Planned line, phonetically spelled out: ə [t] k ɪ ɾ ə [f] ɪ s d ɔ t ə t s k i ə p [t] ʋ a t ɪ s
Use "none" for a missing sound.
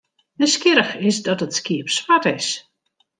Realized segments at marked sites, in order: s, x, s

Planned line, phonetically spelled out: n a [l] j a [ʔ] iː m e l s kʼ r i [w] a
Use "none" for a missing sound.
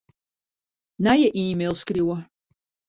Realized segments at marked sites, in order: none, ʔ, w

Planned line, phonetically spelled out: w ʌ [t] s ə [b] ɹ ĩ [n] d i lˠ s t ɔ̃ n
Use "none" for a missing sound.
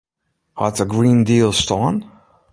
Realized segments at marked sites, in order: t, ɡ, n

